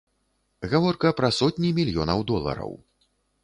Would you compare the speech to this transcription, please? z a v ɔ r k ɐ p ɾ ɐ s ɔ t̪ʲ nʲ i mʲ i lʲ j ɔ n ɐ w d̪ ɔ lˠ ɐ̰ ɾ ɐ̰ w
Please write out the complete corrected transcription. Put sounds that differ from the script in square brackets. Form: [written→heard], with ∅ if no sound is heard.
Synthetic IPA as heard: [z→ɣ] a v ɔ r k ɐ p ɾ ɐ s ɔ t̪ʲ nʲ i mʲ i lʲ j ɔ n ɐ w d̪ ɔ lˠ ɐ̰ ɾ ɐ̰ w

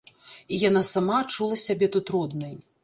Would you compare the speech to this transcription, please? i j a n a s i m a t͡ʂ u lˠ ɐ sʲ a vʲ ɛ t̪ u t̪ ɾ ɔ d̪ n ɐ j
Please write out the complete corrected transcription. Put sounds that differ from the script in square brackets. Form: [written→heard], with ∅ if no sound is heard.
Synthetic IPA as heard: i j a n a s [i→a] m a t͡ʂ u lˠ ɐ sʲ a [vʲ→bʲ] ɛ t̪ u t̪ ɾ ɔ d̪ n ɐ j

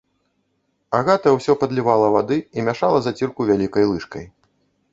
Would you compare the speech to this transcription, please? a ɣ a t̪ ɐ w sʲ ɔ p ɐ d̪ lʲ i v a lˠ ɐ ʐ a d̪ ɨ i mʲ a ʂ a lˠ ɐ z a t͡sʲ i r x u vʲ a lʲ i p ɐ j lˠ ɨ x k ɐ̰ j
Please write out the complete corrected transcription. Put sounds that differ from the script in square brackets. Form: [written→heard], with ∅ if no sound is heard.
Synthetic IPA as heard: a ɣ a t̪ ɐ w sʲ ɔ p ɐ d̪ lʲ i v a lˠ ɐ [ʐ→v] a d̪ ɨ i mʲ a ʂ a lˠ ɐ z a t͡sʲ i r [x→k] u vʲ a lʲ i [p→k] ɐ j lˠ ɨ [x→ʂ] k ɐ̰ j

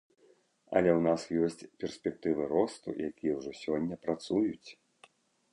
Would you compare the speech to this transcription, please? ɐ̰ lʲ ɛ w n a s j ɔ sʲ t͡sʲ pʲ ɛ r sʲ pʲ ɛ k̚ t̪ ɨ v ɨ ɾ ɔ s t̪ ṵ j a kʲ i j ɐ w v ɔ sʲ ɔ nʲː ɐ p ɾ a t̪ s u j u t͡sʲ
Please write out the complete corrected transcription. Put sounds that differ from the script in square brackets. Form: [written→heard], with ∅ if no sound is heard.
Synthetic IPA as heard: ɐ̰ lʲ ɛ w n a s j ɔ sʲ t͡sʲ pʲ ɛ r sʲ pʲ ɛ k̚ t̪ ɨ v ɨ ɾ ɔ s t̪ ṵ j a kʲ i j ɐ w [v→ʐ] ɔ sʲ ɔ nʲː ɐ p ɾ a t̪ s u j u t͡sʲ

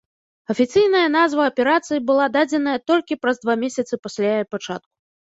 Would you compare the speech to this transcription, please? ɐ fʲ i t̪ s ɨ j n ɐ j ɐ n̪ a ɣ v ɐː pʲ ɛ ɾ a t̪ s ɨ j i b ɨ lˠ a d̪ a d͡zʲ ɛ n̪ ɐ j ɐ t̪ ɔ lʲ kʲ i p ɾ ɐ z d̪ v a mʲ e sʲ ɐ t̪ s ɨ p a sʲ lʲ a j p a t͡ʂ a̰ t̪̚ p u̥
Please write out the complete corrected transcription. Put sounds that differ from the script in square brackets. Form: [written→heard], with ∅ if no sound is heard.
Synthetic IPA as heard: ɐ fʲ i t̪ s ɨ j n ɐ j ɐ n̪ a [ɣ→z] v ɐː pʲ ɛ ɾ a t̪ s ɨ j i b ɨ lˠ a d̪ a d͡zʲ ɛ n̪ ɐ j ɐ t̪ ɔ lʲ kʲ i p ɾ ɐ z d̪ v a mʲ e sʲ ɐ t̪ s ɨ p a sʲ lʲ a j p a t͡ʂ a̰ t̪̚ [p→k] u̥

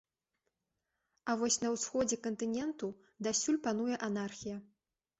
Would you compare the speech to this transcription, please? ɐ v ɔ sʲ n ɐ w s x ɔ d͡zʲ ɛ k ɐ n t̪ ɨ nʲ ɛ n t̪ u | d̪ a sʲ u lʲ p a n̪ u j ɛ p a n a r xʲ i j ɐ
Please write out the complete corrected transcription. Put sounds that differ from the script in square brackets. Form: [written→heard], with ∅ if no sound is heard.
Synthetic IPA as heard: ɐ v ɔ sʲ n ɐ w s x ɔ d͡zʲ ɛ k ɐ n t̪ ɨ nʲ ɛ n t̪ u | d̪ a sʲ u lʲ p a n̪ u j ɛ [p→ʔ] a n a r xʲ i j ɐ

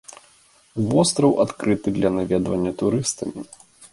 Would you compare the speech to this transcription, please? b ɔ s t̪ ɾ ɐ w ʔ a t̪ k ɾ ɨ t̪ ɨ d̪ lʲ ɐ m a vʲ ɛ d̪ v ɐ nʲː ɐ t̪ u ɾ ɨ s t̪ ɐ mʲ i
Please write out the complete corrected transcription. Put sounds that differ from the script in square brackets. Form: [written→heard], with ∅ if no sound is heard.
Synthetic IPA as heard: [b→v] ɔ s t̪ ɾ ɐ w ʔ a t̪ k ɾ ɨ t̪ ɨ d̪ lʲ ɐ [m→n] a vʲ ɛ d̪ v ɐ nʲː ɐ t̪ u ɾ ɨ s t̪ ɐ mʲ i

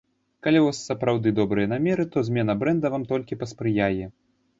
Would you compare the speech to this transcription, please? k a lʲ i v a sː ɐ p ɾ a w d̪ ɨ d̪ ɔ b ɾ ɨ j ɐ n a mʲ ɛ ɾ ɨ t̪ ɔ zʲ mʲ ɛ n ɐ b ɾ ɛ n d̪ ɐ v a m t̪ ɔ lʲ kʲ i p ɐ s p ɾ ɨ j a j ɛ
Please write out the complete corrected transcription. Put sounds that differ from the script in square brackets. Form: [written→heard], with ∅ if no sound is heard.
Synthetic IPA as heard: k a lʲ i v a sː ɐ p ɾ a w d̪ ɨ d̪ ɔ b ɾ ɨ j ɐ n a mʲ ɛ ɾ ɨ t̪ ɔ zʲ mʲ ɛ n ɐ b ɾ ɛ n d̪ ɐ v a m t̪ ɔ lʲ kʲ i p ɐ s p ɾ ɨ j a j ɛ

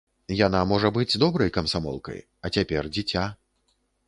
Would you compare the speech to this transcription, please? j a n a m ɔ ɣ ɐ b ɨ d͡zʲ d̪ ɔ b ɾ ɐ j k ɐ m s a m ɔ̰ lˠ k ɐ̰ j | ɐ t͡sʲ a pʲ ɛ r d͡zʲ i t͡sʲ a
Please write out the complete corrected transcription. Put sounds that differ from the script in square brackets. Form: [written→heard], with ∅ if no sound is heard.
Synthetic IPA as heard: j a n a m ɔ [ɣ→ʐ] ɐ b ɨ d͡zʲ d̪ ɔ b ɾ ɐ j k ɐ m s a m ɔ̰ lˠ k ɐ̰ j | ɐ t͡sʲ a pʲ ɛ r d͡zʲ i t͡sʲ a

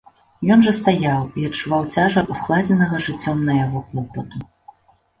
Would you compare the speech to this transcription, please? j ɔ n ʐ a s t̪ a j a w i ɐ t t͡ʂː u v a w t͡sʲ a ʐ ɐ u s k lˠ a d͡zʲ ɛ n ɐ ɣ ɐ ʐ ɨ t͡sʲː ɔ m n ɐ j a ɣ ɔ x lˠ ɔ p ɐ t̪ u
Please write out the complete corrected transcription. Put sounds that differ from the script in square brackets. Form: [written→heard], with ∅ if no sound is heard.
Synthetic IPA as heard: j ɔ n ʐ [a→ɐ] s t̪ a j a w i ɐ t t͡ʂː u v a w t͡sʲ a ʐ ɐ u s k lˠ a d͡zʲ ɛ n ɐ ɣ ɐ ʐ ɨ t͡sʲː ɔ m n ɐ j a ɣ ɔ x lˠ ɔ p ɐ t̪ u

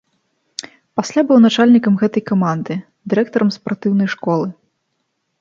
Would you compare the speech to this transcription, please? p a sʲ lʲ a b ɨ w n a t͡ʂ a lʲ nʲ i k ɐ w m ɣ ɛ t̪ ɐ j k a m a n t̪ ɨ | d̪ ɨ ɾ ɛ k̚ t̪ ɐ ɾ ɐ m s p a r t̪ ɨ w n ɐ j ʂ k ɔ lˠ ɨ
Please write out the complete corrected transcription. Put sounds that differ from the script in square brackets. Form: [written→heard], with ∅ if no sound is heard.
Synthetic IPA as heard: p a sʲ lʲ a b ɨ w n a t͡ʂ a lʲ nʲ i k ɐ [w→∅] m ɣ ɛ t̪ ɐ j k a m a n [t̪→d̪] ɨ | d̪ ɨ ɾ ɛ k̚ t̪ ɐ ɾ ɐ m s p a r t̪ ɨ w n ɐ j ʂ k ɔ lˠ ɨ

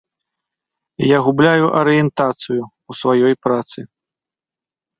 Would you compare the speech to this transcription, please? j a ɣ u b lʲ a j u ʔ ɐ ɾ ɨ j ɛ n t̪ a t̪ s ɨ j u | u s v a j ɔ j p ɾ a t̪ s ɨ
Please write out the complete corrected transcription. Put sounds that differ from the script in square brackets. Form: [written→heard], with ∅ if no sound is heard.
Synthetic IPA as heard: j a ɣ u b lʲ a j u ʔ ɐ ɾ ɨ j ɛ n t̪ a t̪ s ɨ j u | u s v a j ɔ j p ɾ a t̪ s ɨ

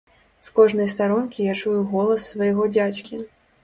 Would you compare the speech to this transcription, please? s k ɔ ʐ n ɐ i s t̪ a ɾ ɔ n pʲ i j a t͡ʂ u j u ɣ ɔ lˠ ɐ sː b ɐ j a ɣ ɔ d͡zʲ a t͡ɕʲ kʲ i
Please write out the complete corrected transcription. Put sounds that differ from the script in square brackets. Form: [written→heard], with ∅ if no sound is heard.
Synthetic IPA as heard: s k ɔ ʐ n ɐ [i→j] s t̪ a ɾ ɔ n [pʲ→kʲ] i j a t͡ʂ u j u ɣ ɔ lˠ ɐ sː [b→v] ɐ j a ɣ ɔ d͡zʲ a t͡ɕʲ kʲ i

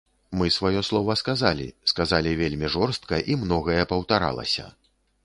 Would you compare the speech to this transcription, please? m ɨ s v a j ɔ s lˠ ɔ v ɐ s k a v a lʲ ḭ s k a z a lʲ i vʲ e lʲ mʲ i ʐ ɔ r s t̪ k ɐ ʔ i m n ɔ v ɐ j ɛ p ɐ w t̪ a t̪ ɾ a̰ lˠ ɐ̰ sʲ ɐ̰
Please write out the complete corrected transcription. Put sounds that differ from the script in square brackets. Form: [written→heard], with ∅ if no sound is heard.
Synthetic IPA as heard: m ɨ s v a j ɔ s lˠ ɔ v ɐ s k a [v→z] a lʲ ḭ s k a z a lʲ i vʲ e lʲ mʲ i ʐ ɔ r s t̪ k ɐ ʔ i m n ɔ [v→ɣ] ɐ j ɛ p ɐ w t̪ a [t̪→∅] ɾ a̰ lˠ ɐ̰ sʲ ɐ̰

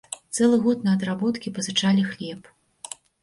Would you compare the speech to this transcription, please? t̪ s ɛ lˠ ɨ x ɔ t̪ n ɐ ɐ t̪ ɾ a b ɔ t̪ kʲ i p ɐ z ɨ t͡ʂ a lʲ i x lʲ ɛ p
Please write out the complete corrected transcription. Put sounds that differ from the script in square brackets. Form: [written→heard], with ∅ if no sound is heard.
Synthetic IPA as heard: t̪ s ɛ lˠ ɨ [x→ɣ] ɔ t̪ n ɐ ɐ [t̪→d̪] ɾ a b ɔ t̪ kʲ i p ɐ z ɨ t͡ʂ a lʲ i x lʲ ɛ p

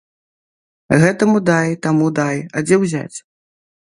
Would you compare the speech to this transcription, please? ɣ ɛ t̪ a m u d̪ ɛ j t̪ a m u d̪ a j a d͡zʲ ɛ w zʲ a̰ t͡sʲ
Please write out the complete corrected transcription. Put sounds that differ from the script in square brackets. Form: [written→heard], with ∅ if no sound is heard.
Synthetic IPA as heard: ɣ ɛ t̪ [a→ɐ] m u d̪ [ɛ→a] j t̪ a m u d̪ a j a d͡zʲ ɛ w zʲ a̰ t͡sʲ

